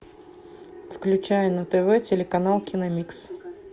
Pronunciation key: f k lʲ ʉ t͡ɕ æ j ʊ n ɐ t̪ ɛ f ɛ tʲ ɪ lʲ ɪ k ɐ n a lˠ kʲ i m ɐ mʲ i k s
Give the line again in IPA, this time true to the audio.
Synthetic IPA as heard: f k lʲ ʉ t͡ɕ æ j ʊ n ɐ t̪ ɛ v ɛ tʲ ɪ lʲ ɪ k ɐ n a lˠ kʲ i n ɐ mʲ i k s